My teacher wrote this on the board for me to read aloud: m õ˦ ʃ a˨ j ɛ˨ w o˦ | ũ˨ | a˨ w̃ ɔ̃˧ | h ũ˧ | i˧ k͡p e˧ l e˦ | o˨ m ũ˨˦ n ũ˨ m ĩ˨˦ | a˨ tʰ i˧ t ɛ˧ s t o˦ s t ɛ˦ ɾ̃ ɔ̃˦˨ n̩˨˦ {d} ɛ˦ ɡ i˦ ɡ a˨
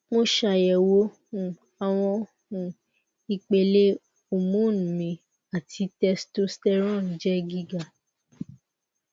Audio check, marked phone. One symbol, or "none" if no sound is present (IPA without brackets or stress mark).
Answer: d͡ʒ